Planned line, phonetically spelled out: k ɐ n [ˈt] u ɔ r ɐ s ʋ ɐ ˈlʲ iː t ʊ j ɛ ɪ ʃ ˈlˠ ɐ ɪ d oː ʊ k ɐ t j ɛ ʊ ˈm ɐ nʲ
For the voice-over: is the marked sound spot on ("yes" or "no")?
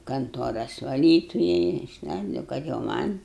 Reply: yes